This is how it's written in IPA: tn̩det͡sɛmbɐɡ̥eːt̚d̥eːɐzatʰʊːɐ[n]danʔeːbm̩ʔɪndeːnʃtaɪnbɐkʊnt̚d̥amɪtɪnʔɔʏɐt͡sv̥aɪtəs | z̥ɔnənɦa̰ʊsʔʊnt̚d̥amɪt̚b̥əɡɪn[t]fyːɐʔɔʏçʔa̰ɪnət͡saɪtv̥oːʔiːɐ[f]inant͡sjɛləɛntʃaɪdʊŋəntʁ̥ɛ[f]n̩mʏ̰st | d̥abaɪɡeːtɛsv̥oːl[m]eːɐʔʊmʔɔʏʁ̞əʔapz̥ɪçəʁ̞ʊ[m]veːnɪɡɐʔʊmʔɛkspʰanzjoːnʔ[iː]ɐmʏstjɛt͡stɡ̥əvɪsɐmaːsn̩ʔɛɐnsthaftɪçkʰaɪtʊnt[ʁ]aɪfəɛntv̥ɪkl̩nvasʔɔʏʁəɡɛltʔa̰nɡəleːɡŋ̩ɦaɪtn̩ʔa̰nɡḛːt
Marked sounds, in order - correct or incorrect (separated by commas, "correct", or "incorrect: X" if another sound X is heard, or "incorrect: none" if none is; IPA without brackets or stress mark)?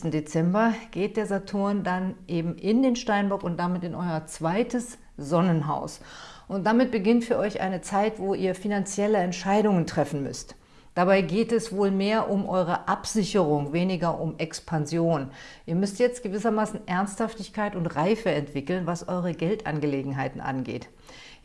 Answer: correct, correct, correct, correct, correct, incorrect: ŋ, correct, correct